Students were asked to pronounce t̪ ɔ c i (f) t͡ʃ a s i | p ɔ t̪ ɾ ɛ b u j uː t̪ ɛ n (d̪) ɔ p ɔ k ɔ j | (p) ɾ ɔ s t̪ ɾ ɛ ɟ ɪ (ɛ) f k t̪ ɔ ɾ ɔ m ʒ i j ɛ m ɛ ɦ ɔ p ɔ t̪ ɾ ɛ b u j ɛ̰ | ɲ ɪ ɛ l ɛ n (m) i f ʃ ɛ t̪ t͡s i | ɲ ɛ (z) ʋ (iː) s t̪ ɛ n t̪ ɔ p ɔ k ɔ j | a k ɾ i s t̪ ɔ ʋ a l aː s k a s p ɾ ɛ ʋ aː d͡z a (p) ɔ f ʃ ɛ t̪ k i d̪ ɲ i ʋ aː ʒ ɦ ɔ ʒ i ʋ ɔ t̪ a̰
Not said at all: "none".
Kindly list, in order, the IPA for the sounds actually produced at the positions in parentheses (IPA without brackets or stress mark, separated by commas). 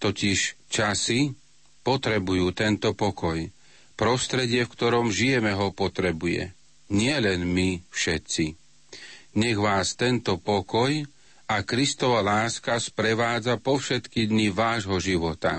ʃ, t̪, p, ɛ, m, ɣ, aː, p